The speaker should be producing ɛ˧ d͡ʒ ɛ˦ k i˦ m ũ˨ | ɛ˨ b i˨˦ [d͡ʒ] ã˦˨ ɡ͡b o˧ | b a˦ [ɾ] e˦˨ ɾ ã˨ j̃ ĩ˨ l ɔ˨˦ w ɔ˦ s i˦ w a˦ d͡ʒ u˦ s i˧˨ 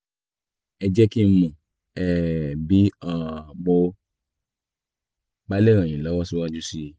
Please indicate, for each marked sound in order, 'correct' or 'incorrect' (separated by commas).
incorrect, incorrect